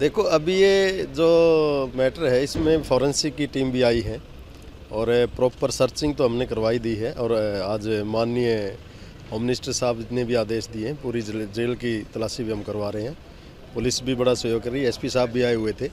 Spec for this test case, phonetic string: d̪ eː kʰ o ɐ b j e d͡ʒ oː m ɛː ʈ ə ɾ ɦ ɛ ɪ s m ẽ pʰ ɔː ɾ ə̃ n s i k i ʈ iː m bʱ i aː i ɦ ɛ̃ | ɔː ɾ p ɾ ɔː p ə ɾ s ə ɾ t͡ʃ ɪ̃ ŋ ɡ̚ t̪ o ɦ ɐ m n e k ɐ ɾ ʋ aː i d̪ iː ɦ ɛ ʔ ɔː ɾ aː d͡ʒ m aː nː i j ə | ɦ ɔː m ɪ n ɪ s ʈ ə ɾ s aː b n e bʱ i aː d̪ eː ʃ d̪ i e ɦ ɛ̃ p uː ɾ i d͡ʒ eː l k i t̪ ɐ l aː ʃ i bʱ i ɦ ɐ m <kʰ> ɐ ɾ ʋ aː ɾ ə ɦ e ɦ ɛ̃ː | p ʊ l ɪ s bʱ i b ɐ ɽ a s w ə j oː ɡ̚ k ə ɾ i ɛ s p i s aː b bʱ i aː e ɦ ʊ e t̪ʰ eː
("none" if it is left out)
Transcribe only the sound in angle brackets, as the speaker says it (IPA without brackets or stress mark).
k